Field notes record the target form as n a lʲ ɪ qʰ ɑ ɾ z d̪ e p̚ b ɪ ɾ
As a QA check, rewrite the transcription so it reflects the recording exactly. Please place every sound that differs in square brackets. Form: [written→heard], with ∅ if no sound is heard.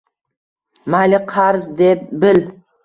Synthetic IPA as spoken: [n→m] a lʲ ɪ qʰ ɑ ɾ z d̪ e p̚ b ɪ [ɾ→l]